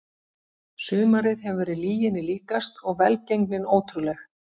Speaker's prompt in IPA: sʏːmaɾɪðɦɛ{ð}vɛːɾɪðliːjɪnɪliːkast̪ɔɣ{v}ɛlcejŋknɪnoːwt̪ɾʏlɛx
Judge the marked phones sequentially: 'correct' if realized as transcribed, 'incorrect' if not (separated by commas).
incorrect, correct